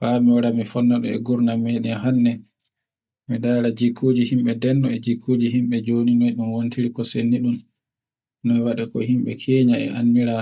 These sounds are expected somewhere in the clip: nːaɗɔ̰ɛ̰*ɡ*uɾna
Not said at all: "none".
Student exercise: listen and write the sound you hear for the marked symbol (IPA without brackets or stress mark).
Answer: ɡ